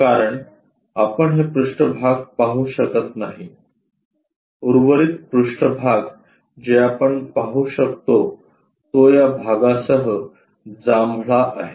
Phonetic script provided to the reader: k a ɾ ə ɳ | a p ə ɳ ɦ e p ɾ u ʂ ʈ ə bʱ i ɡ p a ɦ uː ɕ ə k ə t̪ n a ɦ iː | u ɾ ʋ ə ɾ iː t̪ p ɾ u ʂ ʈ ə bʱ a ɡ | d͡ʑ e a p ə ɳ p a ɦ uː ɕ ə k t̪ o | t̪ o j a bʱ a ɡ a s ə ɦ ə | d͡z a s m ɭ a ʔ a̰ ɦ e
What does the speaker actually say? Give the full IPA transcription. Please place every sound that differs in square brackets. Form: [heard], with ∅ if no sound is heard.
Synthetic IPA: k a ɾ ə ɳ | a p ə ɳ ɦ e p ɾ u ʂ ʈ ə bʱ [a] ɡ p a ɦ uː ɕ ə k ə t̪ n a ɦ [i] | u ɾ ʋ ə ɾ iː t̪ p ɾ u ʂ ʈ ə bʱ a ɡ | d͡ʑ e a p ə ɳ p a ɦ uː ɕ ə k t̪ o | t̪ o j a bʱ a ɡ a s ə ɦ ə | d͡z a [∅] m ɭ a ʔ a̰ ɦ e